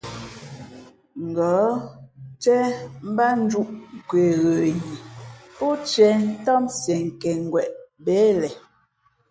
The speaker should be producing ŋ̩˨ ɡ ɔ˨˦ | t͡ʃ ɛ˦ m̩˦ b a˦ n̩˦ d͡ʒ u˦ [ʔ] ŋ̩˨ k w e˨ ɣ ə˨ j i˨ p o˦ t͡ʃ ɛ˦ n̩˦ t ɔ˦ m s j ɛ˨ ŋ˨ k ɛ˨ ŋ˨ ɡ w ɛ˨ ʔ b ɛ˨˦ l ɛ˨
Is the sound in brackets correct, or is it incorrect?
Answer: correct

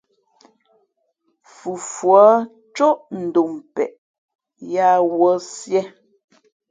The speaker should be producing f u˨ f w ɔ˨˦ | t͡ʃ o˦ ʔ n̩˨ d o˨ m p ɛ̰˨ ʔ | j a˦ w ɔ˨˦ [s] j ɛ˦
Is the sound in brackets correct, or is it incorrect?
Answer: correct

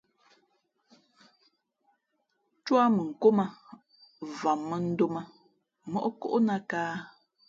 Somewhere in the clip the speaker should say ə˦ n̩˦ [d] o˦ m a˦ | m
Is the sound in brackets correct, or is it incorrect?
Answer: correct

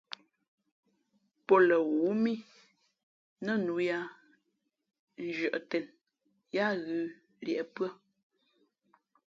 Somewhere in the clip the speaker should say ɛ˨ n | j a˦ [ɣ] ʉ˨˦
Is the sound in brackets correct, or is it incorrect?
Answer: correct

